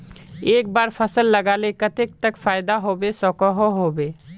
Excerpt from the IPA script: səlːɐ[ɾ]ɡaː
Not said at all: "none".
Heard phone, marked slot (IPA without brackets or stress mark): none